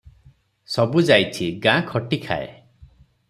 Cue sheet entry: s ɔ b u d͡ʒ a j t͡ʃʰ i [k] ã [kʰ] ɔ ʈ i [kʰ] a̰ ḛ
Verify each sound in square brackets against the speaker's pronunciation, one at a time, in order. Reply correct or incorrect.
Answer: incorrect: ɡ, correct, correct

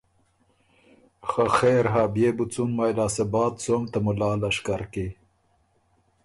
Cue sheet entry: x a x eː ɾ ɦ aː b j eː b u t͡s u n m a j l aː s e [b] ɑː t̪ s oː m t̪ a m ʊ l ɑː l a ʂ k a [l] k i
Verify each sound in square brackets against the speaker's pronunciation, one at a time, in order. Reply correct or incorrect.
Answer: correct, incorrect: ɾ

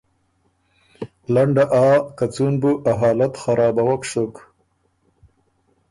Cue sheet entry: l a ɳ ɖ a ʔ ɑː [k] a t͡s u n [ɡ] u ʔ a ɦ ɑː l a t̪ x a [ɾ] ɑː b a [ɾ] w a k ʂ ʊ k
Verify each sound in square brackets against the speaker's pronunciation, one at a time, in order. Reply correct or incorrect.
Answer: correct, incorrect: b, correct, incorrect: none

